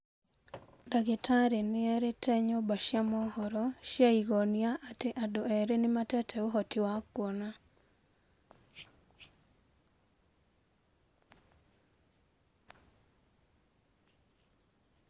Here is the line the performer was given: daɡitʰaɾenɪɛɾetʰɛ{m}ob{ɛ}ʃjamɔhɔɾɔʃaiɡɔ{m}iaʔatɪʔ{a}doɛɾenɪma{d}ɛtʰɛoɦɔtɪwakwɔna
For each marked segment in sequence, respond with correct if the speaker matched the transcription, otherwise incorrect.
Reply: incorrect, incorrect, incorrect, correct, incorrect

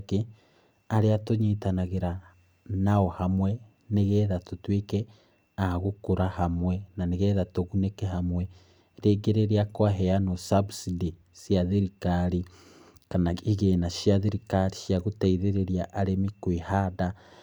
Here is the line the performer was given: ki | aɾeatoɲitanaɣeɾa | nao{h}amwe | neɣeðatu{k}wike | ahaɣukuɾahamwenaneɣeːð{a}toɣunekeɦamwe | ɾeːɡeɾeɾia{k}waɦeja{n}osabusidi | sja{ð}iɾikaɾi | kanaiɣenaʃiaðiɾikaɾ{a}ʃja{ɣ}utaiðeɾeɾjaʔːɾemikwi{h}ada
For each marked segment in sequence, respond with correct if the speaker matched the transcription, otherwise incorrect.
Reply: correct, incorrect, correct, correct, correct, correct, incorrect, correct, correct

